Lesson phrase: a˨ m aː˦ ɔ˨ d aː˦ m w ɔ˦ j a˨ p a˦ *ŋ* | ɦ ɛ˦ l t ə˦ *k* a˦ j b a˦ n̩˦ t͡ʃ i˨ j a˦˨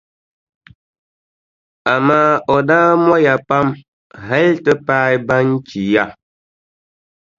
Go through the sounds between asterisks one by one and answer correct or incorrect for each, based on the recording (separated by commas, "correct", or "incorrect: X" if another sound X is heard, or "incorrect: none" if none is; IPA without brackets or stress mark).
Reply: incorrect: m, incorrect: p